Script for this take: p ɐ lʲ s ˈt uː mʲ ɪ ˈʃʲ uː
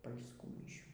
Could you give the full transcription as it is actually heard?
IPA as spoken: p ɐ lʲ s ˈk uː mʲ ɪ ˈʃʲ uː